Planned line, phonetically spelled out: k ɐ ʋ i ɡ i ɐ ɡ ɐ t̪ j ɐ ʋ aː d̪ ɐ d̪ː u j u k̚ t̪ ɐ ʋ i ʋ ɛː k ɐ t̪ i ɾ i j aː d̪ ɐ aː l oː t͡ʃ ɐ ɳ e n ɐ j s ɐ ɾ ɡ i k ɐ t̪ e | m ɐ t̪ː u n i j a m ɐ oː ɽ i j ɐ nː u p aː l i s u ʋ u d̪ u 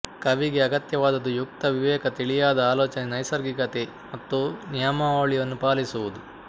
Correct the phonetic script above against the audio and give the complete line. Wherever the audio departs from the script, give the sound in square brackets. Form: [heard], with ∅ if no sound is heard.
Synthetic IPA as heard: k ɐ ʋ i ɡ [e] ɐ ɡ ɐ t̪ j ɐ ʋ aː d̪ ɐ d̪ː u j u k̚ t̪ ɐ ʋ i ʋ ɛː k ɐ t̪ i [ɭ] i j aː d̪ ɐ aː l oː t͡ʃ ɐ [n] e n ɐ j s ɐ ɾ ɡ i k ɐ t̪ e | m ɐ t̪ː u n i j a m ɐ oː [ɭ] i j ɐ nː u p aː l i s u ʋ u d̪ u